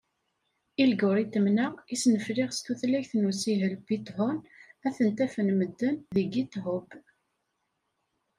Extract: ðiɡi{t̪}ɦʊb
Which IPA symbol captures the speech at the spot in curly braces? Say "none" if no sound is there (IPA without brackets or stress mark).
t̪